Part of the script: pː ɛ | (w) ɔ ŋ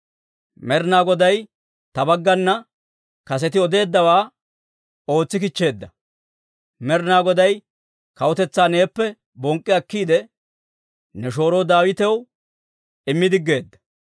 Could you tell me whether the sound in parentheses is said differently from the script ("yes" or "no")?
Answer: yes